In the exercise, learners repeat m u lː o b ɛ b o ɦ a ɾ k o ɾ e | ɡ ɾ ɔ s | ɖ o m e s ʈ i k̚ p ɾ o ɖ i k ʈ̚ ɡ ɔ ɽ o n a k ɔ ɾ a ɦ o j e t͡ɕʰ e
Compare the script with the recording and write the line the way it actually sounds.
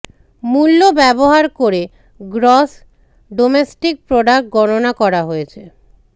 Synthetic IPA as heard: m u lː o b ɛ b o ɦ a ɾ k o ɾ e | ɡ ɾ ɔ s | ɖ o m e s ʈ i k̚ p ɾ o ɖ a k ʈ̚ ɡ ɔ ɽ o n a k ɔ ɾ a ɦ o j e t͡ɕʰ e